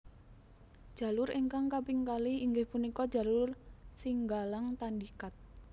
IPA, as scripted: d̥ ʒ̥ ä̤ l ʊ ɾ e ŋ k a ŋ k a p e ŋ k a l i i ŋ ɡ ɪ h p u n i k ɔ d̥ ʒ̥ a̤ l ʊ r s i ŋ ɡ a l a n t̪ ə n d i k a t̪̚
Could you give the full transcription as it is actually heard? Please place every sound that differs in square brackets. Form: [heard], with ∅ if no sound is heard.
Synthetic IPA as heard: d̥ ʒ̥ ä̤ l ʊ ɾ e ŋ k a ŋ k a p [i] ŋ k a l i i ŋ ɡ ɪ h p u n i k ɔ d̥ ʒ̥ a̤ l ʊ r s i ŋ ɡ a l a [ŋ] t̪ [a] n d i k a t̪̚